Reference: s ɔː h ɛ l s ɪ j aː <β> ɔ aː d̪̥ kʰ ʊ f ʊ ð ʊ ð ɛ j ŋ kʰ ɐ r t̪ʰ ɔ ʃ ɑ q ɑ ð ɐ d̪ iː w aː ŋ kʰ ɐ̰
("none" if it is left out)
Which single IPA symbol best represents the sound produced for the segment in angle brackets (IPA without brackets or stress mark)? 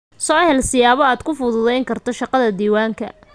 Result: β